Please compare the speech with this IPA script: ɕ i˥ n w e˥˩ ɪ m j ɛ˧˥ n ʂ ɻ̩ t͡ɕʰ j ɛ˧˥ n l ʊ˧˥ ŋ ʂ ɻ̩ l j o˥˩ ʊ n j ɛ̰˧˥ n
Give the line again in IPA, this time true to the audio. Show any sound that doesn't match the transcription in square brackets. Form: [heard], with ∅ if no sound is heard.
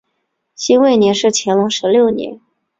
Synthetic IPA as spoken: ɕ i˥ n w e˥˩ ɪ [n] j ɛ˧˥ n ʂ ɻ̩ t͡ɕʰ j ɛ˧˥ n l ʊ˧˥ ŋ ʂ ɻ̩ l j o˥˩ ʊ n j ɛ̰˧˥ n